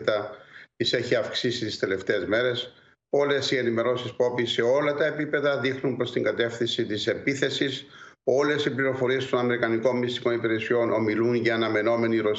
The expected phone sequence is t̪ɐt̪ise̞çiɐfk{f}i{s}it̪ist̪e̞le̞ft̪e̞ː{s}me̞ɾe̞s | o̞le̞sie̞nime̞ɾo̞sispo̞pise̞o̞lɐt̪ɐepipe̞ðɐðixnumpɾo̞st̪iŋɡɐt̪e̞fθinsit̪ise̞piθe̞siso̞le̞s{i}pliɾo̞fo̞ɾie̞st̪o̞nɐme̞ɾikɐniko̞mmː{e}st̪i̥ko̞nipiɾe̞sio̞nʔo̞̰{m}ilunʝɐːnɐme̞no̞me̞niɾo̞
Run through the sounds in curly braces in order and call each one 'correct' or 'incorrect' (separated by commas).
incorrect, correct, incorrect, correct, incorrect, correct